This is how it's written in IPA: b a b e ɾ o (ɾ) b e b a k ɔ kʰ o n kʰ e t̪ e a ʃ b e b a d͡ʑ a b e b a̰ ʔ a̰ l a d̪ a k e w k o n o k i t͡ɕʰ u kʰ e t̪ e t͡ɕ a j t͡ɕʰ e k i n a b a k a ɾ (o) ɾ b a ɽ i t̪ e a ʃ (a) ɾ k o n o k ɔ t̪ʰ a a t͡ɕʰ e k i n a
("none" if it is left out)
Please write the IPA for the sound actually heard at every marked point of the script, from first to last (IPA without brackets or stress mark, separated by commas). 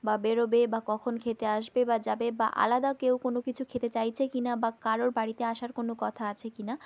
none, o, a